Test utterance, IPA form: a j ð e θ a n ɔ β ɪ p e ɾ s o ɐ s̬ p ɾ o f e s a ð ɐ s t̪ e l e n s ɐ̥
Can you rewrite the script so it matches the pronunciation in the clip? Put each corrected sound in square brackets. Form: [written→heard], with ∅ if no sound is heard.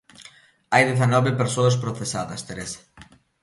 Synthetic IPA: a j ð e θ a n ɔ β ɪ p e ɾ s o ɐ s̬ p ɾ o [f→θ] e s a ð ɐ s t̪ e [l→ɾ] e [n→∅] s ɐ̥